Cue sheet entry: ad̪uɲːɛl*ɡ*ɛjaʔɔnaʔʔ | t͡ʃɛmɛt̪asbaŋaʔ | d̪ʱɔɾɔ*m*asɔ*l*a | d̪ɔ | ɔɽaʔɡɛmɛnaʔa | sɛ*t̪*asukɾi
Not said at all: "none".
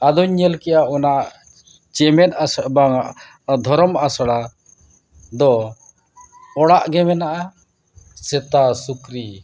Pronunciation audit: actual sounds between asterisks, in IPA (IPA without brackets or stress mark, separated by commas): k, m, ɽ, t̪